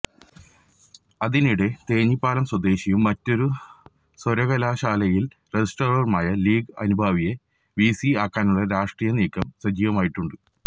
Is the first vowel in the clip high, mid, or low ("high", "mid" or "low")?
low